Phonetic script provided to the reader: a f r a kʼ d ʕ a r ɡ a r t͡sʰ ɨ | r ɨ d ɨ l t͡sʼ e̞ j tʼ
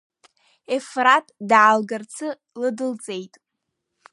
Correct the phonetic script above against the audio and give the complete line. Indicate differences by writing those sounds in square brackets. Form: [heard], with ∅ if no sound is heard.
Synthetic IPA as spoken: [e] f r a [tʼ] d ʕ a [l] ɡ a r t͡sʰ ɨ | [l] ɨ d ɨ l t͡sʼ e̞ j tʼ